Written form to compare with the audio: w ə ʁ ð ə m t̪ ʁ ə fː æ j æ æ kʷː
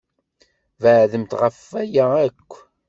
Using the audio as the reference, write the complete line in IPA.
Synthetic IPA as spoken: v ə ʕ ð ə m t̪ ʁ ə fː æ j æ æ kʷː